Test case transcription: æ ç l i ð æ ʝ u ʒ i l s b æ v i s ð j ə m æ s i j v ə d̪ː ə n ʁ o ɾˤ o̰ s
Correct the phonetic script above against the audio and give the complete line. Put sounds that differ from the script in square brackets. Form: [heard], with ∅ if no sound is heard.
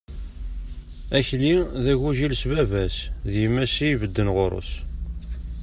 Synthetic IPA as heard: æ ç l i ð æ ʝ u ʒ i l s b æ v [æ] s ð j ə m æ s i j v ə d̪ː ə n ʁ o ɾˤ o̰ s